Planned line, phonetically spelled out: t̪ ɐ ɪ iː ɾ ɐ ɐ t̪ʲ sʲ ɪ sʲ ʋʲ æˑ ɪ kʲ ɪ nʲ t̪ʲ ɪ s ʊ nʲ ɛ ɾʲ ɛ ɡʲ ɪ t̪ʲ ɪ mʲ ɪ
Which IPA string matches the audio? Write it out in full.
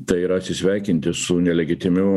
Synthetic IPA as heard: t̪ ɐ ɪ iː ɾ ɐ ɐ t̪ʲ sʲ ɪ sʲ ʋʲ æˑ ɪ kʲ ɪ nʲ t̪ʲ ɪ s ʊ nʲ ɛ lʲ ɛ ɡʲ ɪ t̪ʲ ɪ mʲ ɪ